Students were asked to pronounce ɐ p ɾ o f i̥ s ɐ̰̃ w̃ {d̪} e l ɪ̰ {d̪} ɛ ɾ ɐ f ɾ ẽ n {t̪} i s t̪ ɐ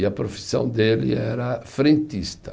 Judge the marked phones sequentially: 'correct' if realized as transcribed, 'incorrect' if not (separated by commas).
correct, incorrect, correct